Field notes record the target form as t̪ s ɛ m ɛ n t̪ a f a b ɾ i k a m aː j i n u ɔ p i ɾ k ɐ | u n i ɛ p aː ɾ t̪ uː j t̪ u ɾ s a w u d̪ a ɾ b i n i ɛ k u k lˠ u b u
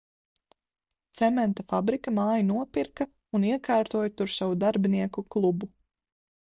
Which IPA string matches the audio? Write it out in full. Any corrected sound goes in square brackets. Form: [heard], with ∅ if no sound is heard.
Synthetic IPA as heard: t̪ s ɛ m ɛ n t̪ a f a b ɾ i k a m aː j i n u ɔ p i ɾ k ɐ | u n i ɛ [k] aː ɾ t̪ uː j t̪ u ɾ s a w u d̪ a ɾ b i n i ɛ k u k lˠ u b u